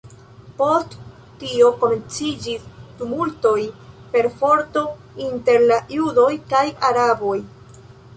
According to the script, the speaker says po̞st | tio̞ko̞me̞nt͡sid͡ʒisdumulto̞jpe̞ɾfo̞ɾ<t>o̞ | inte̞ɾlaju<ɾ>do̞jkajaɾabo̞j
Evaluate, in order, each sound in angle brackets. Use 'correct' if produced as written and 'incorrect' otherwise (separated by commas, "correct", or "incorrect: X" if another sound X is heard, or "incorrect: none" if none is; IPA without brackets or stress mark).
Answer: correct, incorrect: none